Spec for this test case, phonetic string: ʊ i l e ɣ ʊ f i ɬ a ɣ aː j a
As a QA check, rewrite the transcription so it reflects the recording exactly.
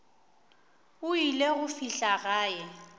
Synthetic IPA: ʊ i l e ɣ ʊ f i ɬ a ɣ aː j ɛ